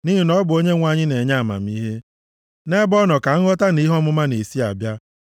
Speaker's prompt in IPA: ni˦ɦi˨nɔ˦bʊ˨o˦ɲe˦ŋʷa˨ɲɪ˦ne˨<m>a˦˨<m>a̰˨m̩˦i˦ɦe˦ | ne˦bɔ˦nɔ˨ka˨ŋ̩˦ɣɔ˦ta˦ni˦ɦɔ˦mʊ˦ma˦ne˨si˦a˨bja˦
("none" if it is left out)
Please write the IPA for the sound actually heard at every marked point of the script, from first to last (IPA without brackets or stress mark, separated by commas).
ɲ, m